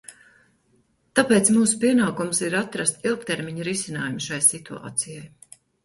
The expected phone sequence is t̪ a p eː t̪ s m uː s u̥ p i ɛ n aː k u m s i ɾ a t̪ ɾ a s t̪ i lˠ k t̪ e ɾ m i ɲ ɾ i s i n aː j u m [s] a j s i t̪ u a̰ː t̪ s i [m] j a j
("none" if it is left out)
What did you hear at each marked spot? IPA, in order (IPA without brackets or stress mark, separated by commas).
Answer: ʃ, none